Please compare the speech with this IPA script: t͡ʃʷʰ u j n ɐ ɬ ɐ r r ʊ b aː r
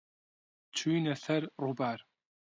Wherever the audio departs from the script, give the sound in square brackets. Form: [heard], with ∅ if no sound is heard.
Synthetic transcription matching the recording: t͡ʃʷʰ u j n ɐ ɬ ɐ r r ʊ b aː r